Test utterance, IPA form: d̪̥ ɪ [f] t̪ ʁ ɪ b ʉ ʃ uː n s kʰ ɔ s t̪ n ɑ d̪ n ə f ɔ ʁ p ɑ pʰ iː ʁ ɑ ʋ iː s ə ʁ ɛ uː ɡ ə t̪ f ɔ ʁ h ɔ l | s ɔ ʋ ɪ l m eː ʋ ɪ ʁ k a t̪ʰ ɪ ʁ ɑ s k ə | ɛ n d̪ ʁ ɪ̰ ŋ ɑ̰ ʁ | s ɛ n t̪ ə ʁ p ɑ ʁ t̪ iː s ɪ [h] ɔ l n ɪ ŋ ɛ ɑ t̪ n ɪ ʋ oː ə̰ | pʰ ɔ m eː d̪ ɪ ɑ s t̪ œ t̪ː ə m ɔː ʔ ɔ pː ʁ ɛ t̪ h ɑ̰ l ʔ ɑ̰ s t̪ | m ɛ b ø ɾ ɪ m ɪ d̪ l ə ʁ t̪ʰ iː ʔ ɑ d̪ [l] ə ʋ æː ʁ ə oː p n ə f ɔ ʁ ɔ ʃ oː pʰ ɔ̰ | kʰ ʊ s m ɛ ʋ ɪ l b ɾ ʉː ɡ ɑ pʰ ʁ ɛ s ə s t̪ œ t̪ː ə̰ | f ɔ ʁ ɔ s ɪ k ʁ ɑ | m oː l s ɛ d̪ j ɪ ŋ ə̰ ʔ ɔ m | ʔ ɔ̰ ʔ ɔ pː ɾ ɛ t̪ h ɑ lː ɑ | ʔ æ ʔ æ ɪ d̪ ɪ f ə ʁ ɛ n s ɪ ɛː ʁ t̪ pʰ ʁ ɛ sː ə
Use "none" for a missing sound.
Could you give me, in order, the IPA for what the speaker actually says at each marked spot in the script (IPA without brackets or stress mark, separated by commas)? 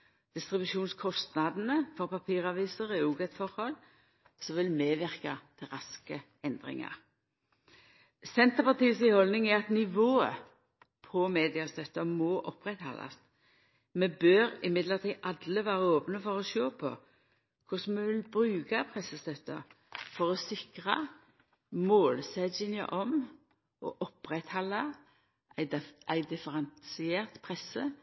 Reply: s, h, l